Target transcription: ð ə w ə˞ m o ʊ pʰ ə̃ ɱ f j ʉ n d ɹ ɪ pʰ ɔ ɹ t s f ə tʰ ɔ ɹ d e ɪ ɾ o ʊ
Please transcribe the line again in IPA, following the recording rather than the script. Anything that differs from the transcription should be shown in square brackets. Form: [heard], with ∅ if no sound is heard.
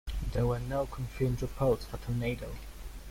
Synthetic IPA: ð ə w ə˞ [n] o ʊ [kʰ] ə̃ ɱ f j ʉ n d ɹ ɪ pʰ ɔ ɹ t s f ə tʰ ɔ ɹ [n] e ɪ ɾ o ʊ